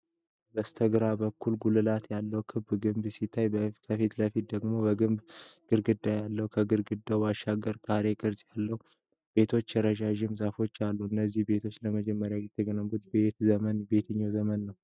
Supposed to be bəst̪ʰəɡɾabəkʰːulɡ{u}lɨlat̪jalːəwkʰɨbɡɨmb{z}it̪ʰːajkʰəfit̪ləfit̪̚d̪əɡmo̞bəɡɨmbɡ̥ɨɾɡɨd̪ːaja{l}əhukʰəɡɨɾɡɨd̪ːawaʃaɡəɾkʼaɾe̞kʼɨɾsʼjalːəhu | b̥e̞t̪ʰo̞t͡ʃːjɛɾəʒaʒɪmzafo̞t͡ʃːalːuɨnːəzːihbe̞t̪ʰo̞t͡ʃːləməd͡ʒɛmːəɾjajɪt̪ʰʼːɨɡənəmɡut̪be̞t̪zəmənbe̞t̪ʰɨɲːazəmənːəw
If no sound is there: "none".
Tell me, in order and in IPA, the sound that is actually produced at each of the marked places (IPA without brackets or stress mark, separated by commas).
u, s, lː